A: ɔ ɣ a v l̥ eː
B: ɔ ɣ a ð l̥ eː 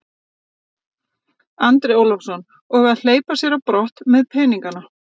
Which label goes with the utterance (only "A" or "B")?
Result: B